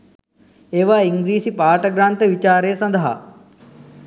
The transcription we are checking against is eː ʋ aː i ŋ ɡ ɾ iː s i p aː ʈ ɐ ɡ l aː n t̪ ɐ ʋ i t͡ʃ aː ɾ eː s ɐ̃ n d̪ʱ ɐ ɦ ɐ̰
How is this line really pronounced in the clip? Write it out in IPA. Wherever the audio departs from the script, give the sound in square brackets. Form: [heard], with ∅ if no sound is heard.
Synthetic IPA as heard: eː ʋ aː i ŋ ɡ ɾ iː s i p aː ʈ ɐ ɡ [ɾ] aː n t̪ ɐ ʋ i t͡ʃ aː ɾ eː s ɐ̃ n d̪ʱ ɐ ɦ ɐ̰

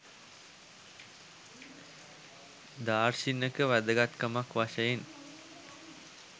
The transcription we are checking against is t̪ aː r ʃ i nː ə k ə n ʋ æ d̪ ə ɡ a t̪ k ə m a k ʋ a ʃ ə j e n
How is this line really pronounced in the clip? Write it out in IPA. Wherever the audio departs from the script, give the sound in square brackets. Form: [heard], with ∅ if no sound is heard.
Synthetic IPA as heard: [d̪] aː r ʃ i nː ə k ə [∅] ʋ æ d̪ ə ɡ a t̪ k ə m a k ʋ a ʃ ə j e n

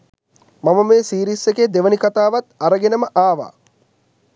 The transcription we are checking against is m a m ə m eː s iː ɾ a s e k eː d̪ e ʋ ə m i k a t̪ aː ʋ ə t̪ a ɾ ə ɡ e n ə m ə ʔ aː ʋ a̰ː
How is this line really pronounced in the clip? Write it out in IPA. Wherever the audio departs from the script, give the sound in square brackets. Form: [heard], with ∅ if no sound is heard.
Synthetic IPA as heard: m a m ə m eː s iː ɾ [i] s e k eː d̪ e ʋ ə [n] i k a t̪ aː ʋ [a] t̪ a ɾ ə ɡ e n ə m ə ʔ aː ʋ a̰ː

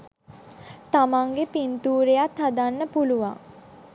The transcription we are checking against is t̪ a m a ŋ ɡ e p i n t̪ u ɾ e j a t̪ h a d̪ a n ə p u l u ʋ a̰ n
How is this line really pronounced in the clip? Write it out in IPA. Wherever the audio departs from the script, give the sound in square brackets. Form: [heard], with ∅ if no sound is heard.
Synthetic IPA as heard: t̪ a m a ŋ ɡ e p i n t̪ [uː] ɾ e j a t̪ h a d̪ a [nː] ə p u l u ʋ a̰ [ŋ]

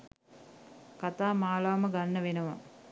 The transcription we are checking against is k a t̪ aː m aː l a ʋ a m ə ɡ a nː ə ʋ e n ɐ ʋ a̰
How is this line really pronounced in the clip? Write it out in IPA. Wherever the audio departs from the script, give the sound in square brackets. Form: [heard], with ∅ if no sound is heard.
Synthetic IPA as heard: k a t̪ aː m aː l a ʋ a m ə ɡ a nː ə ʋ e n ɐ ʋ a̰

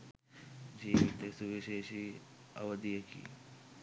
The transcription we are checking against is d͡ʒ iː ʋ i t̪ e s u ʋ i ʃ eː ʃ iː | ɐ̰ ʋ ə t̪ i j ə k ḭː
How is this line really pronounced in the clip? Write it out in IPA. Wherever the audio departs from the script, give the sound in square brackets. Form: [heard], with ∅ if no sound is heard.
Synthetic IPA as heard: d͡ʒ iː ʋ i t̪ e s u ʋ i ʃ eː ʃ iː | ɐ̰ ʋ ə [d̪] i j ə k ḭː

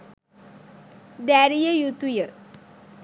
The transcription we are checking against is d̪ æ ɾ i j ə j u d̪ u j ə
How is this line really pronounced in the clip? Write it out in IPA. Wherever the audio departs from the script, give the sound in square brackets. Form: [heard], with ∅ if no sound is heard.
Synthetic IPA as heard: d̪ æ ɾ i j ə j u [t̪] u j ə

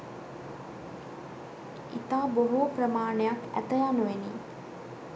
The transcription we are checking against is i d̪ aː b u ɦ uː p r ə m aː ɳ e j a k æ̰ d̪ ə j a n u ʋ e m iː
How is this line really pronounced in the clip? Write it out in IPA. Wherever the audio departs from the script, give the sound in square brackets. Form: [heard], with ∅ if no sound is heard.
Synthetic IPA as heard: i [t̪] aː b [o] ɦ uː p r ə m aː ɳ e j a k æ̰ [t̪] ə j a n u ʋ e [n] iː

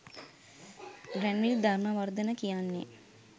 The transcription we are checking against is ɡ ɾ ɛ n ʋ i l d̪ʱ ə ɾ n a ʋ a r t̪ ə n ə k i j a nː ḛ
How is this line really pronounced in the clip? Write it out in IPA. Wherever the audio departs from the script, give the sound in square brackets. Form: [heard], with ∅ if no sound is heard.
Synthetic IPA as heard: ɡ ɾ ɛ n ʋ i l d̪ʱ [a] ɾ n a ʋ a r [d̪] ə n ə k i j a nː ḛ

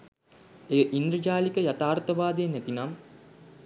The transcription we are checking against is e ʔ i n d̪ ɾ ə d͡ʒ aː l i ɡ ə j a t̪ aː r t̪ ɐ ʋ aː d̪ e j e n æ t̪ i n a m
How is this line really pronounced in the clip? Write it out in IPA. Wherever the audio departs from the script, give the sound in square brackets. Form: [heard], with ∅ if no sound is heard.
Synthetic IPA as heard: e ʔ i n d̪ ɾ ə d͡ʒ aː l i [k] ə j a t̪ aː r t̪ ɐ ʋ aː d̪ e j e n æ t̪ i n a m

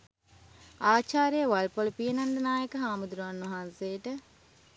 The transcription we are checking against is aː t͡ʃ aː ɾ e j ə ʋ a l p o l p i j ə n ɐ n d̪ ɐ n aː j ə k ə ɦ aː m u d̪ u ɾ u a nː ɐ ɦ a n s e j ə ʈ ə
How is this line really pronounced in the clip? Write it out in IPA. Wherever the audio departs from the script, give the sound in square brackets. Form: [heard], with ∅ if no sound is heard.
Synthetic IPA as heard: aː t͡ʃ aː ɾ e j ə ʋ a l p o l p i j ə n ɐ n d̪ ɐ n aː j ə k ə ɦ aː m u d̪ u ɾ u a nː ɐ ɦ a n s e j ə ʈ ə

